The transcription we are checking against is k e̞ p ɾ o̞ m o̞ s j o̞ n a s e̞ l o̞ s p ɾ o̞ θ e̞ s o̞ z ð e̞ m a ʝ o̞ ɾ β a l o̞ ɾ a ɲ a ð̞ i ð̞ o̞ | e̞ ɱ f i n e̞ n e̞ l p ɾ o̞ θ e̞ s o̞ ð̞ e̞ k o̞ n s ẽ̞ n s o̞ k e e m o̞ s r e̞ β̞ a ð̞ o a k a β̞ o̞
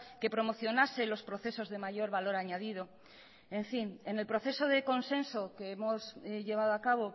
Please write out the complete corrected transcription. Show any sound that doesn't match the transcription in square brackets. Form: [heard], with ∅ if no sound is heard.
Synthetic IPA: k e̞ p ɾ o̞ m o̞ [θ] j o̞ n a s e̞ l o̞ s p ɾ o̞ θ e̞ s o̞ z ð e̞ m a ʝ o̞ ɾ β a l o̞ ɾ a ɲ a ð̞ i ð̞ o̞ | e̞ ɱ f i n e̞ n e̞ l p ɾ o̞ θ e̞ s o̞ ð̞ e̞ k o̞ n s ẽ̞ n s o̞ k e e m o̞ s [ʎ] e̞ β̞ a ð̞ o a k a β̞ o̞